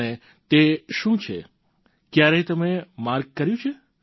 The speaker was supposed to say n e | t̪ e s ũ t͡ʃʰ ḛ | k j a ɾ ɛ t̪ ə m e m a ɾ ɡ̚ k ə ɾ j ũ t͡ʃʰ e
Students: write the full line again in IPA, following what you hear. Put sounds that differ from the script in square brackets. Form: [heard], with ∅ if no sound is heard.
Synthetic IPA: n e | t̪ e [ʃ] ũ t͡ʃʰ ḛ | k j a ɾ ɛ t̪ ə m e m a ɾ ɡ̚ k ə ɾ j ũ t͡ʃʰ e

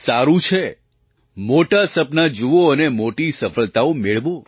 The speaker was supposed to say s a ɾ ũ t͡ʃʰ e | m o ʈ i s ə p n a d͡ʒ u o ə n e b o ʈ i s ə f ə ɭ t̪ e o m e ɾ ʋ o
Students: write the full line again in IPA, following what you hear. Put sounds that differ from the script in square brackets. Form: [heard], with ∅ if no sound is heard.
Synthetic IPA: s a ɾ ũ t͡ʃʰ e | m o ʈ [a] s ə p n a d͡ʒ u o ə n e [m] o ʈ i s ə f ə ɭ t̪ [a] o m e [ɭ] ʋ o

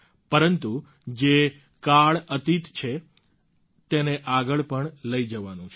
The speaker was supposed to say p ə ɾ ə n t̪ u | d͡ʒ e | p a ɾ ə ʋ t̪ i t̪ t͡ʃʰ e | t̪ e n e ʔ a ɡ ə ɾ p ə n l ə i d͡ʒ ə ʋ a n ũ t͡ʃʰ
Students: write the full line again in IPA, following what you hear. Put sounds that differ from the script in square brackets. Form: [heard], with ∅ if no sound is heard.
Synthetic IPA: p ə ɾ ə n t̪ u | d͡ʒ e | [k] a [ɭ] ə [∅] t̪ i t̪ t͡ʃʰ e | t̪ e n e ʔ a ɡ ə [ɭ] p ə [ɳ] l ə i d͡ʒ ə ʋ a n ũ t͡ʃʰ

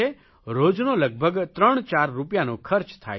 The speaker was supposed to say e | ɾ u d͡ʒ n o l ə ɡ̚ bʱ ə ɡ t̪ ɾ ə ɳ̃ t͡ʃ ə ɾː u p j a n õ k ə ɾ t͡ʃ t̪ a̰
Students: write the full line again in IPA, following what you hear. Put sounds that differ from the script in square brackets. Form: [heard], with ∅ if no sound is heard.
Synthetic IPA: e | ɾ [o] d͡ʒ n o l ə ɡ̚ bʱ ə ɡ t̪ ɾ ə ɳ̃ t͡ʃ [a] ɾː u p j a n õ [kʰ] ə ɾ t͡ʃ [t̪ʰ] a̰

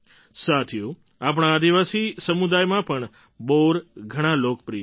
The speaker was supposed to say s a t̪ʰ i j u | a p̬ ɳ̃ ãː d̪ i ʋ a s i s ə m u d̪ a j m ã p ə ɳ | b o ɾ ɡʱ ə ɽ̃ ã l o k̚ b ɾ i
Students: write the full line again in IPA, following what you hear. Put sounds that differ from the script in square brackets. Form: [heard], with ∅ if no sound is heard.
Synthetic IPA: s a t̪ʰ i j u | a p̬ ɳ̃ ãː d̪ i ʋ a s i s ə m u d̪ a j m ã p ə ɳ | b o ɾ ɡʱ ə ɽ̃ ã l o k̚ [p] ɾ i

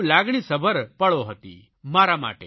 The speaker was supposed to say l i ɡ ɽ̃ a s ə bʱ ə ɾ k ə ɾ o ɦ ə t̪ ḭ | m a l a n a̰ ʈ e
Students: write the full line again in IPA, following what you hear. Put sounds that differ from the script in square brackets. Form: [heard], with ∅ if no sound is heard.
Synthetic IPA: l [a] ɡ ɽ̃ [i] s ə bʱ ə ɾ [p] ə [ɭ] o ɦ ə t̪ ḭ | m a [ɾ] a [m] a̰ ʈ e

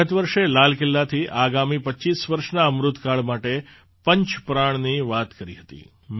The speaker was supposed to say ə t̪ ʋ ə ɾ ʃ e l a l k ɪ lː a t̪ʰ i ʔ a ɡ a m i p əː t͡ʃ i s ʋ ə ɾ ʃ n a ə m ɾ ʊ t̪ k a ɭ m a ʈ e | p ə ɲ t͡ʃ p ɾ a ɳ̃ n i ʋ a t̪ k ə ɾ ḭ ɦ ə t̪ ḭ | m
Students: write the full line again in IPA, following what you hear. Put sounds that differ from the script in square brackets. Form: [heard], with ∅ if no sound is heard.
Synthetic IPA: ə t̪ ʋ ə ɾ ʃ e l a l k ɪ lː a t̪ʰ i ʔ a ɡ a m i p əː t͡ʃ i s ʋ ə ɾ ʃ n a ə m ɾ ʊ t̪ k a ɭ m a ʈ e | p ə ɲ t͡ʃ p ɾ a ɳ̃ n i ʋ a t̪ k ə ɾ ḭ ɦ ə t̪ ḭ | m

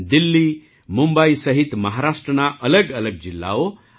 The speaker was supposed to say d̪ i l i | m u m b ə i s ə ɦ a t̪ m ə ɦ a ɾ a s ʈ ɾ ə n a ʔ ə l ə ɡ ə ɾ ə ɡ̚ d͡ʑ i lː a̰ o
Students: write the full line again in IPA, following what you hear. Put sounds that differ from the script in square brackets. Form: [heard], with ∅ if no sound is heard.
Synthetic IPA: d̪ i [lː] i | m u m b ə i s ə ɦ [i] t̪ m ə ɦ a ɾ a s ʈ ɾ ə n a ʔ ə l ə ɡ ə [l] ə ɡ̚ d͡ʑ i lː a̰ o

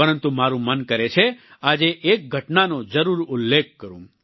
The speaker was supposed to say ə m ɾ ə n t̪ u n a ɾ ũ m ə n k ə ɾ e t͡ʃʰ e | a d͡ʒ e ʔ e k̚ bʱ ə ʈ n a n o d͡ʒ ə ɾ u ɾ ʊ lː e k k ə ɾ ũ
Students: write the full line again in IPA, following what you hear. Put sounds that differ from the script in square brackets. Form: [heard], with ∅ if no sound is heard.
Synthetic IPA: ə [∅] ɾ ə n t̪ u [m] a ɾ ũ m ə n k ə ɾ e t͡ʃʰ e | a d͡ʒ e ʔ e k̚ [ɡʱ] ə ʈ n a n o d͡ʒ ə ɾ u ɾ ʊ lː e k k ə ɾ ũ

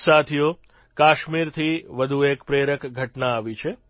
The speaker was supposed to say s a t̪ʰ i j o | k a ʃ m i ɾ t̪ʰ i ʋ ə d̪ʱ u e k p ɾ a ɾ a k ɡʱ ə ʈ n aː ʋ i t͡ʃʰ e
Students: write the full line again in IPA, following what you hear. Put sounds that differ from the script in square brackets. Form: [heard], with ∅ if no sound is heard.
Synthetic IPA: s a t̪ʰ i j o | k a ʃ m i ɾ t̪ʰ i ʋ ə d̪ʱ u e k p ɾ [e] ɾ [ə] k ɡʱ ə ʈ n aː ʋ i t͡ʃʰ e

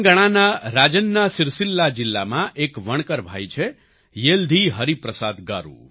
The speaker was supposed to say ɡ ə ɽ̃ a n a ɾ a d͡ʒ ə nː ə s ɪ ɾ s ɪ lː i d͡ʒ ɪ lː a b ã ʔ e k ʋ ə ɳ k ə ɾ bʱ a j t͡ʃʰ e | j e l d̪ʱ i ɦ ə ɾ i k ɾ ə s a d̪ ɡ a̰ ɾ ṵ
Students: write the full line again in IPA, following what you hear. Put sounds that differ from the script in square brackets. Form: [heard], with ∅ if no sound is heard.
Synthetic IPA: ɡ ə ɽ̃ a n a ɾ a d͡ʒ ə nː [a] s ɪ ɾ s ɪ lː [a] d͡ʒ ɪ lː a [m] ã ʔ e k ʋ ə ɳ k ə ɾ bʱ a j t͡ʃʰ e | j e l d̪ʱ i ɦ ə ɾ i [p] ɾ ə s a d̪ ɡ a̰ ɾ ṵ

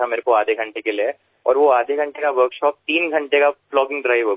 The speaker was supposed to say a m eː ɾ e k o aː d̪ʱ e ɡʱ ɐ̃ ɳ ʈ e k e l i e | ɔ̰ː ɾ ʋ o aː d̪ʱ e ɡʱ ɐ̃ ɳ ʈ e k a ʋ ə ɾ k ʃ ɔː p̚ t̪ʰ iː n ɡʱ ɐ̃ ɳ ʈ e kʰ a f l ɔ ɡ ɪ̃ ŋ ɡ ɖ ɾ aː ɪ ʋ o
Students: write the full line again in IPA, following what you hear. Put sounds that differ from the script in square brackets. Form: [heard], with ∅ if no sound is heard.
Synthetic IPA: a m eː ɾ e k o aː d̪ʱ e ɡʱ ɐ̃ ɳ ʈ e k e l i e | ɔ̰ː ɾ ʋ o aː d̪ʱ e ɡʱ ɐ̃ ɳ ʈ e k a ʋ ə ɾ k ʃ ɔː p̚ [t̪] iː n ɡʱ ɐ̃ ɳ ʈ e [k] a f l [ɔː] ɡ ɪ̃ ŋ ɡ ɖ ɾ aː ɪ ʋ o

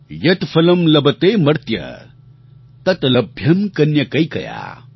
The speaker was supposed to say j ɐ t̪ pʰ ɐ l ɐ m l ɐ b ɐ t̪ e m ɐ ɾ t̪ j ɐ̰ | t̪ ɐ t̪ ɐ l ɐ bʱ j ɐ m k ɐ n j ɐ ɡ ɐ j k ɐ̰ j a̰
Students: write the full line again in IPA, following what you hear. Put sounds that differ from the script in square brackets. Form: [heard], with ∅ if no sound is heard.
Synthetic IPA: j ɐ t̪ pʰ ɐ l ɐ m l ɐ b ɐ t̪ e m ɐ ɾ t̪ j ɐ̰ | t̪ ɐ t̪ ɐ l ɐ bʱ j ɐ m k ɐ n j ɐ [k] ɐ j k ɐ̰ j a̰

